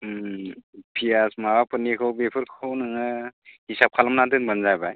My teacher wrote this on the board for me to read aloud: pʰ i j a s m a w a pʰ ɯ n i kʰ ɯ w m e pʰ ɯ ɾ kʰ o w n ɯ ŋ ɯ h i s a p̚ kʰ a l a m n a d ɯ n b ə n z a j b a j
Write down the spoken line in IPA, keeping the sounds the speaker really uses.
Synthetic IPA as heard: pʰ i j a s m a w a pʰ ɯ n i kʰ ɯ w b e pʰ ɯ ɾ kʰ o w n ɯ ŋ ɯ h i s a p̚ kʰ a l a m n a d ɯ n b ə n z a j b a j